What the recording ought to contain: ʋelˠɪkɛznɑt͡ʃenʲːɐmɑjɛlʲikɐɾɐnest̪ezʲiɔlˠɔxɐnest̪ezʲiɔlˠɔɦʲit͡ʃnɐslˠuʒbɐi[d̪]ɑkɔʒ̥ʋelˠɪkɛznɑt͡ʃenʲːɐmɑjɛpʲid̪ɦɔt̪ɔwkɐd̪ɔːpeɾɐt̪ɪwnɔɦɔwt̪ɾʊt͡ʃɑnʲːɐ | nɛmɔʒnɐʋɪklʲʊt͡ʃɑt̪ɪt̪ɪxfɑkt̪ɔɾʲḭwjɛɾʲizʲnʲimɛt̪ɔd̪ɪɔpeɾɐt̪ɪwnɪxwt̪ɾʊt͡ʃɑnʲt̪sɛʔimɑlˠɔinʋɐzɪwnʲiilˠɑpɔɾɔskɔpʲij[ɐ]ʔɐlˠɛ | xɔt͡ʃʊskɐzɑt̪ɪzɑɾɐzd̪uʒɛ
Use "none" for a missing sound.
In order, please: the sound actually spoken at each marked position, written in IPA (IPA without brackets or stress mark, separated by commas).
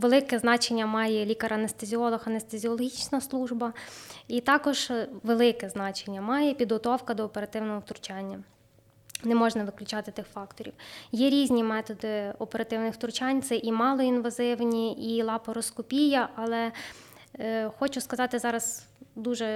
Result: t̪, ɐ